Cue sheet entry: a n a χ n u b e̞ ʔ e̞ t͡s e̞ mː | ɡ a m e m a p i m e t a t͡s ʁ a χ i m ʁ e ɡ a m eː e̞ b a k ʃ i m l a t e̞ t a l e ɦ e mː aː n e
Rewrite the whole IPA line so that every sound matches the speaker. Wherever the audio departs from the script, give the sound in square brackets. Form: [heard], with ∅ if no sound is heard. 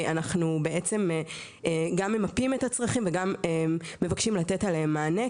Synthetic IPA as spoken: a n a χ n u b e̞ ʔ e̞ t͡s e̞ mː | ɡ a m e m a p i m e t a t͡s ʁ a χ i m [v] e ɡ a m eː e̞ [v] a k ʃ i m l a t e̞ t a l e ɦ e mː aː n e